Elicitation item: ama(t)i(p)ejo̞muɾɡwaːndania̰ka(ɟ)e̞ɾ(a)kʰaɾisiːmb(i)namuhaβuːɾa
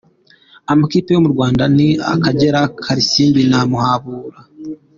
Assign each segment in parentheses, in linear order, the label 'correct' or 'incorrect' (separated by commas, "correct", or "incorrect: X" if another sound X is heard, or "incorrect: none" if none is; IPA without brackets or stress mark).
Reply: incorrect: k, correct, correct, correct, correct